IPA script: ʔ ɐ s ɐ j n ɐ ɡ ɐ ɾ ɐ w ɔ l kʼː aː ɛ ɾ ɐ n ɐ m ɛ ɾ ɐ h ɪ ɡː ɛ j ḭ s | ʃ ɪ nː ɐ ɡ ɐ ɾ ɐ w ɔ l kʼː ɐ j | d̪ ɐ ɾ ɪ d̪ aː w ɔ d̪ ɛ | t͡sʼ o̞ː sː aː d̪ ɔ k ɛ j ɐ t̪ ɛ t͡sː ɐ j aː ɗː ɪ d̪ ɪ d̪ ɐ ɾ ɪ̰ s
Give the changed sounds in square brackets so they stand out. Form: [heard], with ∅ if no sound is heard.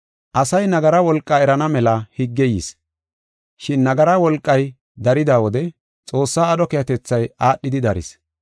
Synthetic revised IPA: ʔ ɐ s ɐ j n ɐ ɡ ɐ ɾ ɐ w ɔ l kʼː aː ɛ ɾ ɐ n ɐ m ɛ [l] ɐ h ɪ ɡː ɛ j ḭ s | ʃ ɪ nː ɐ ɡ ɐ ɾ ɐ w ɔ l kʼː ɐ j | d̪ ɐ ɾ ɪ d̪ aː w ɔ d̪ ɛ | t͡sʼ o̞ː sː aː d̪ ɔ k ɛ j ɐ t̪ ɛ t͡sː ɐ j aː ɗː ɪ d̪ ɪ d̪ ɐ ɾ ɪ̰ s